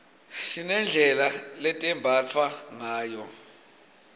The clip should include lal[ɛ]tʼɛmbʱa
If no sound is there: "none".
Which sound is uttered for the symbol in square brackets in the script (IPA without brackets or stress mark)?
ɛ